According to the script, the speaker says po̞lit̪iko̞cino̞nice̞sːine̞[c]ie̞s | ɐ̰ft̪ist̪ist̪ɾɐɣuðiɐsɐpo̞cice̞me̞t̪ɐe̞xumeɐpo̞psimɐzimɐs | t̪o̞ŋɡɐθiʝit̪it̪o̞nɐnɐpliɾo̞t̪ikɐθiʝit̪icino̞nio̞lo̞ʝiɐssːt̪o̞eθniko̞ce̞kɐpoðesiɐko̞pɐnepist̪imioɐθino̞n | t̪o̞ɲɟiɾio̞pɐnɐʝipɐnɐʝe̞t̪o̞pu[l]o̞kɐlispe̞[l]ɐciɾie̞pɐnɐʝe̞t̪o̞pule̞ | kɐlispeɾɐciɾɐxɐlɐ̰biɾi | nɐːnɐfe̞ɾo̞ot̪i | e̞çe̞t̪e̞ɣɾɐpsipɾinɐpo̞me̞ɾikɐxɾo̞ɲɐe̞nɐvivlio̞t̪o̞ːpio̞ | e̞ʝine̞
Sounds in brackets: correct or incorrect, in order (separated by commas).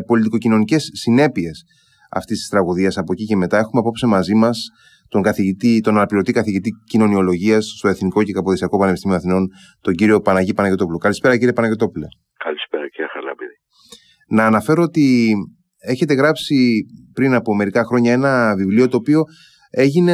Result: incorrect, correct, incorrect